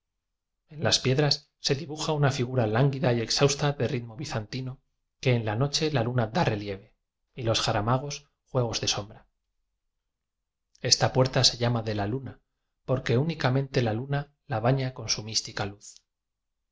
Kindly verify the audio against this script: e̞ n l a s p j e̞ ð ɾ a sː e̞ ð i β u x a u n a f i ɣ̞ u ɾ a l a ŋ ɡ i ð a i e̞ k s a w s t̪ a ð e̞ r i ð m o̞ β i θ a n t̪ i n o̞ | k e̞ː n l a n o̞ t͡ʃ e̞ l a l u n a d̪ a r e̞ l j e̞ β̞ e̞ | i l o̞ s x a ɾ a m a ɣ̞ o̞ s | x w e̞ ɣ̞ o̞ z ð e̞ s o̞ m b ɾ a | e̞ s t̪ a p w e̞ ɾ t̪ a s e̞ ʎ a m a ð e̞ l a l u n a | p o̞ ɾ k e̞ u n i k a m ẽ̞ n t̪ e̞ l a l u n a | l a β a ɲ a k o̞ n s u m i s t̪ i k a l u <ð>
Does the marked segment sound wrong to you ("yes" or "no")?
yes